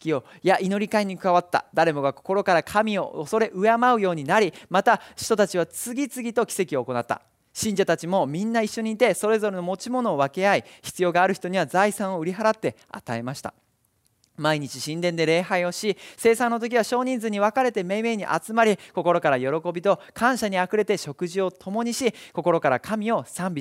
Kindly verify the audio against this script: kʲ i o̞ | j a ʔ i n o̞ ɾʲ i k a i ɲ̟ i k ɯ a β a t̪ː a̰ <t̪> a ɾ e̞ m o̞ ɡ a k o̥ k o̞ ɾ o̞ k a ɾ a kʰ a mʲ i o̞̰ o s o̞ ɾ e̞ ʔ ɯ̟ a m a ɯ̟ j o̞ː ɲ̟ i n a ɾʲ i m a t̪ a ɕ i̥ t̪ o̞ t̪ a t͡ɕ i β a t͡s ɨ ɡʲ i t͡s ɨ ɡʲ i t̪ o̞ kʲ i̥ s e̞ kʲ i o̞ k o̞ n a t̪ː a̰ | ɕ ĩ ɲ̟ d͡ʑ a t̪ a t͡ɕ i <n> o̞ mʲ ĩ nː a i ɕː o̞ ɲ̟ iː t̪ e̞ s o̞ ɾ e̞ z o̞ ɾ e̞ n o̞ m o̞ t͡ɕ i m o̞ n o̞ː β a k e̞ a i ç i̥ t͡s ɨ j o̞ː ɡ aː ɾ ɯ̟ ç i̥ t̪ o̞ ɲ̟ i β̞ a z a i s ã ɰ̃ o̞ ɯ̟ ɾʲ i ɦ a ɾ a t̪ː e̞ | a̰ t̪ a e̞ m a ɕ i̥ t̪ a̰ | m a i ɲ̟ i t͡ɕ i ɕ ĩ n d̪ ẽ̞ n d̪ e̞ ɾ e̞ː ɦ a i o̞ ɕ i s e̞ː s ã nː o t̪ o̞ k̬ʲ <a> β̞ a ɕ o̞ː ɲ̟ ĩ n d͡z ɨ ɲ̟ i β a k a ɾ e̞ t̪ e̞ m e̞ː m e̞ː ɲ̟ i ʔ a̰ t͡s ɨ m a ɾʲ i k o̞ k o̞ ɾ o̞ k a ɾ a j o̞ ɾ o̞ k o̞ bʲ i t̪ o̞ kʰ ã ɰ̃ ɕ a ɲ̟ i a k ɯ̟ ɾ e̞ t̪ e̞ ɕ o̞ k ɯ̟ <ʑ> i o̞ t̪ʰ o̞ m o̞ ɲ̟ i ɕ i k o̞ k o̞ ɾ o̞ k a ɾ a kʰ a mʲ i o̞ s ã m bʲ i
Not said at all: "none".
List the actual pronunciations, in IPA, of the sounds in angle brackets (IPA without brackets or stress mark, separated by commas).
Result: d̪, m, i, ʑ